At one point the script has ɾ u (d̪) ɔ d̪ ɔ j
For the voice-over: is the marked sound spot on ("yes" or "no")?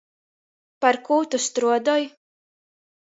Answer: no